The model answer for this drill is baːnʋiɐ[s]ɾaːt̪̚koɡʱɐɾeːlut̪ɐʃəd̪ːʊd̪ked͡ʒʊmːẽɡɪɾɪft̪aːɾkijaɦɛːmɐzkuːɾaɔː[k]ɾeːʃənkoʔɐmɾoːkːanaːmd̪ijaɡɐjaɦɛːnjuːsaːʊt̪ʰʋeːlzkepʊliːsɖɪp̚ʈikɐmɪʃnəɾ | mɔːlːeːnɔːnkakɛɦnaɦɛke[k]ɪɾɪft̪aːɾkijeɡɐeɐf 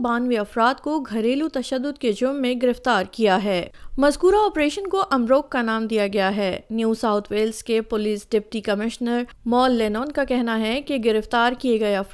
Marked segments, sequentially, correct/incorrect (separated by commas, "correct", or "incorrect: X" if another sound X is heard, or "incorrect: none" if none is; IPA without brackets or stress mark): incorrect: f, incorrect: p, incorrect: ɡ